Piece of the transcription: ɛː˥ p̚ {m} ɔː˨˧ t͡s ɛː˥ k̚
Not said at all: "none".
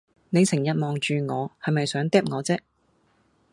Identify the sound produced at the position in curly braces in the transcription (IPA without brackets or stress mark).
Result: ŋ